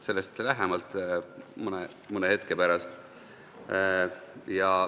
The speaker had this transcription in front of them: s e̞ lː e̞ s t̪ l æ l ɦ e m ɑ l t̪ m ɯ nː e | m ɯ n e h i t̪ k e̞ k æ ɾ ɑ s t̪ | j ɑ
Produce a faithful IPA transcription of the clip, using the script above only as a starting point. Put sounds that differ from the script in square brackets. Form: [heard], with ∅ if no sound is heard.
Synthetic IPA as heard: s e̞ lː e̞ s t̪ l æ [∅] ɦ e m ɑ l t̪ m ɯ [n] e | m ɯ n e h [e] t̪ k e̞ [p] æ ɾ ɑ s t̪ | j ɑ